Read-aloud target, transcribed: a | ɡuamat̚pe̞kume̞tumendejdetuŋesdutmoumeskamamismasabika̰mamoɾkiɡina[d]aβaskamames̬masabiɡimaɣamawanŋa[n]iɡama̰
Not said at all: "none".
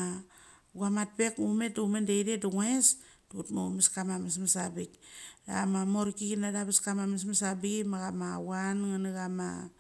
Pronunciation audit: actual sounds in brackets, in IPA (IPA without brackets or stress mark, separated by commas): d, n